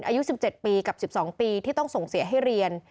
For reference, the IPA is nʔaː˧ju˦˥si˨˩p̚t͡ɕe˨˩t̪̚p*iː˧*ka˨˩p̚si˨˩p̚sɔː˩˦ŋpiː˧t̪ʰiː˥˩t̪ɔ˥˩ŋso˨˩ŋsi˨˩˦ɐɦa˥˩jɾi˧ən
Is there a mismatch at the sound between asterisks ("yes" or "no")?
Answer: no